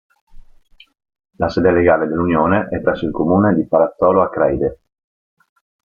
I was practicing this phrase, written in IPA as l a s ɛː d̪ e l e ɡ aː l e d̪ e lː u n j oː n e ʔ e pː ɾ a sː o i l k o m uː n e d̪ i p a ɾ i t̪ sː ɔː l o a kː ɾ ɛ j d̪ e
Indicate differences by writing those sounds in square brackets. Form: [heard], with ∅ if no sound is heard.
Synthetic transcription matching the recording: l a s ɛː d̪ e l e ɡ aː l e d̪ e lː u n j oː n e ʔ [ɛ] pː ɾ [ɛ] sː o i l k o m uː n e d̪ i p a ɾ [a] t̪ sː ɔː l o a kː ɾ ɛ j d̪ e